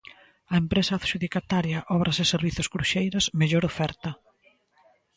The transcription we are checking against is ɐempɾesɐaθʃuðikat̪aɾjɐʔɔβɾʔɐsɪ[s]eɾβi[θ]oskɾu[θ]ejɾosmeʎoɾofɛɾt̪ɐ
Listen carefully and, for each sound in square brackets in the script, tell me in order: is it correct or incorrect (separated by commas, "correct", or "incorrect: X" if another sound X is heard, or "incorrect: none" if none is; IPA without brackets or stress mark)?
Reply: correct, correct, incorrect: ʃ